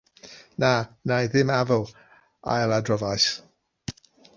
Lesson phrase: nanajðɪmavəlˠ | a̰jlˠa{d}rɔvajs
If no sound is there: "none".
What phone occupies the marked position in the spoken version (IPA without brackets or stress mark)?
d